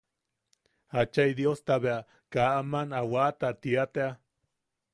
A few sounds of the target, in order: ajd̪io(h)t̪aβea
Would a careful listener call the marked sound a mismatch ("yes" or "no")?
yes